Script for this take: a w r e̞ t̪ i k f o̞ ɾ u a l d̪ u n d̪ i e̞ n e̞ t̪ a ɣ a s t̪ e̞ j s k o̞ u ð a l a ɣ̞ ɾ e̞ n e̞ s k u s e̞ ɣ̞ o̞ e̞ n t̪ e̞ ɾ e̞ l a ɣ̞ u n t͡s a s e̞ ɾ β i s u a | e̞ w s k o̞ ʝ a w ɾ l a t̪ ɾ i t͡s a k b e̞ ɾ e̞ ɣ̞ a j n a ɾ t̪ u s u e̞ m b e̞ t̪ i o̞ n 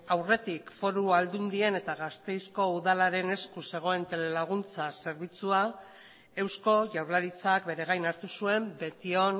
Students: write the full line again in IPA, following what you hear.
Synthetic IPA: a w r e̞ t̪ i k f o̞ ɾ u a l d̪ u n d̪ i e̞ n e̞ t̪ a ɣ a s t̪ e̞ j s k o̞ u ð a l a ɾ e̞ n e̞ s k u s e̞ ɣ̞ o̞ e̞ n t̪ e̞ l e̞ l a ɣ̞ u n t͡s a s e̞ ɾ β i t͡s u a | e̞ w s k o̞ ʝ a w ɾ l a ɾ i t͡s a k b e̞ ɾ e̞ ɣ̞ a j n a ɾ t̪ u s u e̞ m b e̞ t̪ i o̞ n